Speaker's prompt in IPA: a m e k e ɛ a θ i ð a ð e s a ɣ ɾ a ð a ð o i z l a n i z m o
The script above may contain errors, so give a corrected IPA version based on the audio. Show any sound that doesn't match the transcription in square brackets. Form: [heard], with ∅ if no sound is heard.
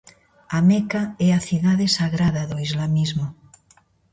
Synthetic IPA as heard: a m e k [a] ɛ a θ i ð a ð e s a ɣ ɾ a ð a ð o i z l a [m] i z m o